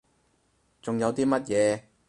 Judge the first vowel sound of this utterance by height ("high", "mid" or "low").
high